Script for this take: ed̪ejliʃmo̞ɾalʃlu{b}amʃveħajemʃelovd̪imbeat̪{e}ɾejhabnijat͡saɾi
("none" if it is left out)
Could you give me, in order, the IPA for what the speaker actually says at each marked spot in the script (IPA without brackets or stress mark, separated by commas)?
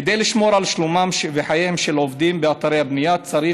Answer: m, a